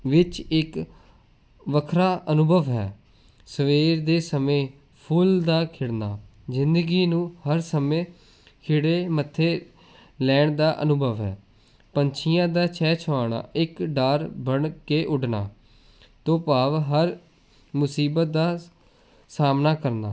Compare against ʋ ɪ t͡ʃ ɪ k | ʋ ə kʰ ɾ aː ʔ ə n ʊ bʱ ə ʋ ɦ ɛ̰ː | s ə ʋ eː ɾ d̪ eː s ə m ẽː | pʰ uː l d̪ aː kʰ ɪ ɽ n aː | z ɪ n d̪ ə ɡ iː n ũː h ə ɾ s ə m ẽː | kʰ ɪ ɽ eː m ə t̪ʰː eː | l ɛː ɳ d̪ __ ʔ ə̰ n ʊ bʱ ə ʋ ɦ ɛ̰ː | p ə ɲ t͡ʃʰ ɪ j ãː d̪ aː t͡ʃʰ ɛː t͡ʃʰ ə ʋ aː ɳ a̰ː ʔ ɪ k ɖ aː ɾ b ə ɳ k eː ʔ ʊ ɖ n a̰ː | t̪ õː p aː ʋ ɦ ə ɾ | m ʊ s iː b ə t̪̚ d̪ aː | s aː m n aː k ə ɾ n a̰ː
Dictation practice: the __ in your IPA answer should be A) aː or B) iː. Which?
A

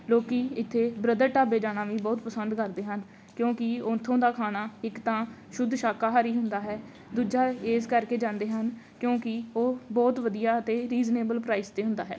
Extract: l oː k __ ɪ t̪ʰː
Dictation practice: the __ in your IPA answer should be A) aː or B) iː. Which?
B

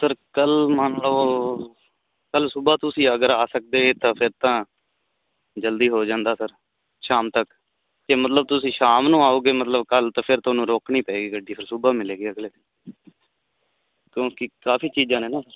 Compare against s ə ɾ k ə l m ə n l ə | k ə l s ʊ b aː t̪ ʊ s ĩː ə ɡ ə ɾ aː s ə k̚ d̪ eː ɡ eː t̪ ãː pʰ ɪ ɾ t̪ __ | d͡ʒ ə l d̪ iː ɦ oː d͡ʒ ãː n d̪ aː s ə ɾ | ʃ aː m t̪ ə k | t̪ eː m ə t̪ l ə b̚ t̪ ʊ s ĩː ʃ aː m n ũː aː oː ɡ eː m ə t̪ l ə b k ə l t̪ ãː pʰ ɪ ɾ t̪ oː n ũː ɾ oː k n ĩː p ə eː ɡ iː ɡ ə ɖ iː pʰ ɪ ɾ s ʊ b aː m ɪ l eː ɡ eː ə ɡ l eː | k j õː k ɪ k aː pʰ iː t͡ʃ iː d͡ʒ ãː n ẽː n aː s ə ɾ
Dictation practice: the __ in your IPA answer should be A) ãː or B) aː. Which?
A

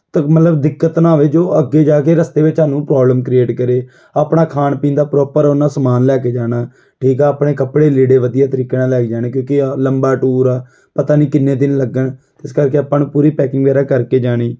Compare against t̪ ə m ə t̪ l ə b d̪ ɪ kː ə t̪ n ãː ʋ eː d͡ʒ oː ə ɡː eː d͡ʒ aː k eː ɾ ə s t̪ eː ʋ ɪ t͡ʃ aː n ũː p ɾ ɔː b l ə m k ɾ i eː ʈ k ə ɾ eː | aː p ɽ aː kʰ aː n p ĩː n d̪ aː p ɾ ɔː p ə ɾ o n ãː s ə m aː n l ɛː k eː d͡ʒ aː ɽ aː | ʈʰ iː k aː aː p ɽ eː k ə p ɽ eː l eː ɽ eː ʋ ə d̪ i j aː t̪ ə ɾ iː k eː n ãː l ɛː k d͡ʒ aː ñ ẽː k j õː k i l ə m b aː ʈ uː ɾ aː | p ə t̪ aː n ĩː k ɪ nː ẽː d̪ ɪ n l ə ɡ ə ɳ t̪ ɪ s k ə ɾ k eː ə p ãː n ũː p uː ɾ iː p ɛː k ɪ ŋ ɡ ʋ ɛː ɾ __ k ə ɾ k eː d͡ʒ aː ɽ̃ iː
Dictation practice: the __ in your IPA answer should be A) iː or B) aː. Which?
B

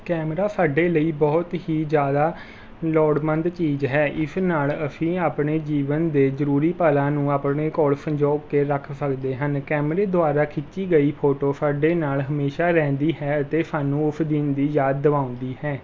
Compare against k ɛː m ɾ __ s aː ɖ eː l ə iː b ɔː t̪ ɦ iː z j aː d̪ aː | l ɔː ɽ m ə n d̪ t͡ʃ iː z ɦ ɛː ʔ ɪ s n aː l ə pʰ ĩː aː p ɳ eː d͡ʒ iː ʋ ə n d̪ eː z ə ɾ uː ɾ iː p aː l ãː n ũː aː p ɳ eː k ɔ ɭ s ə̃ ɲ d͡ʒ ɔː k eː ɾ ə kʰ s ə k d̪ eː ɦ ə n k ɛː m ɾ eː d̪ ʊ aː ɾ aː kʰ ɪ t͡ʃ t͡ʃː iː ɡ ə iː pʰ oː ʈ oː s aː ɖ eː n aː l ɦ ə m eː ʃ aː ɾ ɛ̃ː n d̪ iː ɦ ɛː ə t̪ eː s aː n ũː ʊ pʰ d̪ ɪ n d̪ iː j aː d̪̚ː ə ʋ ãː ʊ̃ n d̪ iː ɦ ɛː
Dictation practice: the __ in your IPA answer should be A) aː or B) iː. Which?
A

